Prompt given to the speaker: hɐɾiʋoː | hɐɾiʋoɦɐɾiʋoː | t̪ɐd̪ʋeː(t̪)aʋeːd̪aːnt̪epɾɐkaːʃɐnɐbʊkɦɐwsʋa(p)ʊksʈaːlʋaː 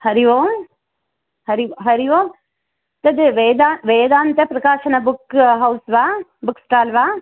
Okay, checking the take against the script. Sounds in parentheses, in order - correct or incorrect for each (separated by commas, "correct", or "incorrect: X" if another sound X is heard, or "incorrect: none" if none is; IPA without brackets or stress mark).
incorrect: d̪, incorrect: b